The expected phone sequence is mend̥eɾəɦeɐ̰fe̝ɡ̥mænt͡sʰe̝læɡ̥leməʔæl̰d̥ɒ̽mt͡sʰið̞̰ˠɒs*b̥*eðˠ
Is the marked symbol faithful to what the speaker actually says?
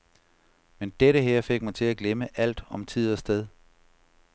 no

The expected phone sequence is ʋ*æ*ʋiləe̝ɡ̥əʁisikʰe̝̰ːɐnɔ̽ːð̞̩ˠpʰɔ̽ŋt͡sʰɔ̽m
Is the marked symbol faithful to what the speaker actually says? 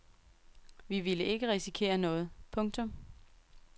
no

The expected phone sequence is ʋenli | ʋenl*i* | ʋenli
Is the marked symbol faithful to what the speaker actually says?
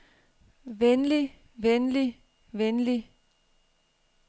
yes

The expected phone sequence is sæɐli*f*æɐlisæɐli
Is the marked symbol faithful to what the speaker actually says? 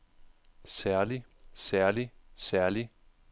no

